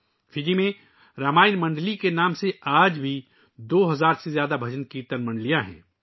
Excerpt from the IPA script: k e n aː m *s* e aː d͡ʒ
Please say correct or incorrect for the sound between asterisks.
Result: correct